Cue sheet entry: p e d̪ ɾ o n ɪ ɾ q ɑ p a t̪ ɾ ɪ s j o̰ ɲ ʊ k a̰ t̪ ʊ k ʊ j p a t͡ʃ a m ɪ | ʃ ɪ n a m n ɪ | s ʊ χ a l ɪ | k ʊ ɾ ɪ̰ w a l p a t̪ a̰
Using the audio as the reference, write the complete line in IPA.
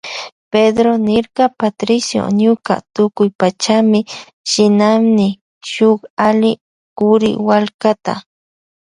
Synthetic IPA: p e d̪ ɾ o n ɪ ɾ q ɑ p a t̪ ɾ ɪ s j o̰ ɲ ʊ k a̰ t̪ ʊ k ʊ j p a t͡ʃ a m ɪ | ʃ ɪ n a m n ɪ | ʃ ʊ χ a l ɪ | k ʊ ɾ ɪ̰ w a l k a t̪ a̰